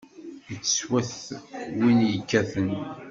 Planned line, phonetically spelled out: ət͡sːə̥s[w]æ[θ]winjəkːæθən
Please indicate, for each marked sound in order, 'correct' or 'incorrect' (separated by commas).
correct, correct